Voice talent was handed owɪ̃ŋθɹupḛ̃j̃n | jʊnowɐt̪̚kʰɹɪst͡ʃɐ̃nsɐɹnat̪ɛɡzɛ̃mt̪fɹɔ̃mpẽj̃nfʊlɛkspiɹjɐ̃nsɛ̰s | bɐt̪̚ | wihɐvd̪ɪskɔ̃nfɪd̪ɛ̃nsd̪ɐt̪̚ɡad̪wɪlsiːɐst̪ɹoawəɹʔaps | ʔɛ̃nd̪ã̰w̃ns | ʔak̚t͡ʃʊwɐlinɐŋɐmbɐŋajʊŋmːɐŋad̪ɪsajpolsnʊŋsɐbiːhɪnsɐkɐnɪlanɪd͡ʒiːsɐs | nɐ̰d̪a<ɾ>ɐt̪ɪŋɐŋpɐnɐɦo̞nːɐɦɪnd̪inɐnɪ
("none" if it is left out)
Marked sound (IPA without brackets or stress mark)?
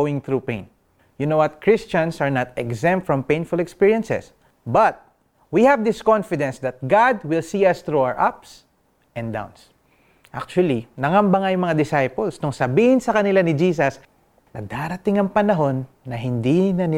ɾ